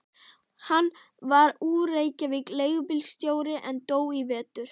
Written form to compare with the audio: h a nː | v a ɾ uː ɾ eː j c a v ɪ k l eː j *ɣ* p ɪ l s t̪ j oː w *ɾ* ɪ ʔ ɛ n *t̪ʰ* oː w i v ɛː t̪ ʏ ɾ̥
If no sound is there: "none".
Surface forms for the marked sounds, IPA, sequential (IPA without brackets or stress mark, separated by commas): ɣ, ɾ, t̪